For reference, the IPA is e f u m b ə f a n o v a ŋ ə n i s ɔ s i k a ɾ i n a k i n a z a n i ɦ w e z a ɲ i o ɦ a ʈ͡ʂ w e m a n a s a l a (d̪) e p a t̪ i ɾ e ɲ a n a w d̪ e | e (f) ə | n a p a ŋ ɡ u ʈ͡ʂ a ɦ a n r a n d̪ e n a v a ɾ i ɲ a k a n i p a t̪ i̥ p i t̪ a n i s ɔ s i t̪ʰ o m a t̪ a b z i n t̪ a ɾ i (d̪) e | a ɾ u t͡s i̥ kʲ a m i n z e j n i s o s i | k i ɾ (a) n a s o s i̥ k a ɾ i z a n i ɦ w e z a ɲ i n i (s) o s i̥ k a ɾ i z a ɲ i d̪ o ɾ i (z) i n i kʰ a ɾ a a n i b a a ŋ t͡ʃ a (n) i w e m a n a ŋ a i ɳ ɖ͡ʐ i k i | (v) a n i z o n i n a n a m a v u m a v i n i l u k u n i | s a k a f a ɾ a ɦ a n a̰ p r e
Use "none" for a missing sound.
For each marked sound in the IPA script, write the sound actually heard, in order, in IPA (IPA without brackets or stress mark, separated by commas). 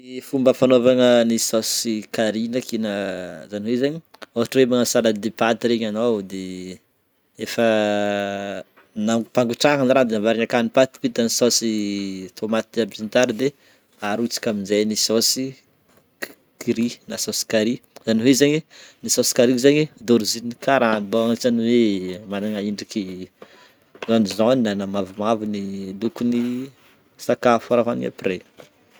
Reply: d̪, f, d̪, i, s, z, n, z